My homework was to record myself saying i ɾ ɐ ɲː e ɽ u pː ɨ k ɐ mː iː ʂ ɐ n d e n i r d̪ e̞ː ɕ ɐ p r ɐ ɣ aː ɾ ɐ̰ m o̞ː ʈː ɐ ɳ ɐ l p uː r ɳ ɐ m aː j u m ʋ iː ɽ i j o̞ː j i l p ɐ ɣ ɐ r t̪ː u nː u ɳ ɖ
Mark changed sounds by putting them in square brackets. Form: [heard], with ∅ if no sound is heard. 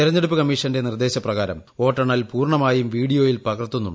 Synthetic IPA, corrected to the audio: i ɾ ɐ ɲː e ɽ u pː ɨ k ɐ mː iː ʂ ɐ n d e n i r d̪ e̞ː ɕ ɐ p r ɐ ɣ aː ɾ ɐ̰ m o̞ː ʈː ɐ ɳ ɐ l p uː r ɳ ɐ m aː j u m ʋ iː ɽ i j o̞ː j i l p ɐ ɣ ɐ r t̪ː u nː u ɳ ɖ